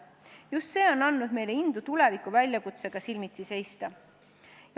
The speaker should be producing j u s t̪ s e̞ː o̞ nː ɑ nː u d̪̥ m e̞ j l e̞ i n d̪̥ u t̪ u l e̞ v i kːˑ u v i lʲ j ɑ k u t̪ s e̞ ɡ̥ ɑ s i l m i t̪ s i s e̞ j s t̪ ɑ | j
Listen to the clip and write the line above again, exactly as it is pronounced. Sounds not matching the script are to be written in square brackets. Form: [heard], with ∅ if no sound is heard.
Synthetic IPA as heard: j u s t̪ s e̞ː o̞ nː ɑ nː u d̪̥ m e̞ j l e̞ i n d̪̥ u t̪ u l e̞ v i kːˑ u v [æ] lʲ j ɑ k u t̪ s e̞ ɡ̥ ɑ s i l m i t̪ s i s e̞ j s t̪ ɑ | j